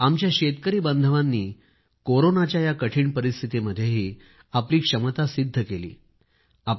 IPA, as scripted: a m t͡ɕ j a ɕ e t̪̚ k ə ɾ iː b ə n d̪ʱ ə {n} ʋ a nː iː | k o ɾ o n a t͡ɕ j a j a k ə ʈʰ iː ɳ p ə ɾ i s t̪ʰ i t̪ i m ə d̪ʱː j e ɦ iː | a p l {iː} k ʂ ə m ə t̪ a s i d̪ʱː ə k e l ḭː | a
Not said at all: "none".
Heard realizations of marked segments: none, iː

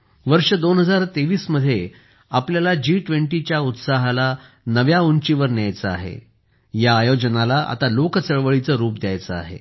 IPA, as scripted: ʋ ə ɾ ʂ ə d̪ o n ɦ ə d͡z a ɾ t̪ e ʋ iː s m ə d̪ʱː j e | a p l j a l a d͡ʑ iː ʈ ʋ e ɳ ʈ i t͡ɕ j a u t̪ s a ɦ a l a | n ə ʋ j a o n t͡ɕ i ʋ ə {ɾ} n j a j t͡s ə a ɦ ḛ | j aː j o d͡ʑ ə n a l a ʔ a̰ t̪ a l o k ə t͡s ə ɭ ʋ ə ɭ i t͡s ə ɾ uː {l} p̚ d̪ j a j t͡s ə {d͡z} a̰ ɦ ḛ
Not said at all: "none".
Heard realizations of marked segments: ɾ, none, none

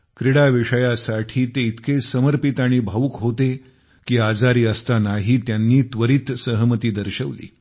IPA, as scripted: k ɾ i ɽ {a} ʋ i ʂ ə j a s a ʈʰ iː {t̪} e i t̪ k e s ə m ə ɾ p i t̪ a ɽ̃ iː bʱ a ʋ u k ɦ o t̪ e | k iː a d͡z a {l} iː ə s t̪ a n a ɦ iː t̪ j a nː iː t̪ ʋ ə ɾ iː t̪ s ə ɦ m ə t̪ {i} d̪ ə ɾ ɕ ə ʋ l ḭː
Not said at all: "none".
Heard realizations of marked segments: a, t̪, ɾ, iː

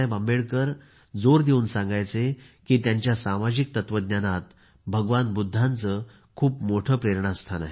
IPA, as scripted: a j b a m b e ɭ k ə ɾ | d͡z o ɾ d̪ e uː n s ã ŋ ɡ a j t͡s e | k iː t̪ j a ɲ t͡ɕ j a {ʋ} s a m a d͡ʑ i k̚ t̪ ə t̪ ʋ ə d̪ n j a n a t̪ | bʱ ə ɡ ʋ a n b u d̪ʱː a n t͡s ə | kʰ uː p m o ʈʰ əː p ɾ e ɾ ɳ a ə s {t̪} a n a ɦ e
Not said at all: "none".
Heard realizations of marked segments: none, t̪ʰ

